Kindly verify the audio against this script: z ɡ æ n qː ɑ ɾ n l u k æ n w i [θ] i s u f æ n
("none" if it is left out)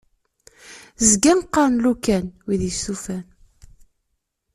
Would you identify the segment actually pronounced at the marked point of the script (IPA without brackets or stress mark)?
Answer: ð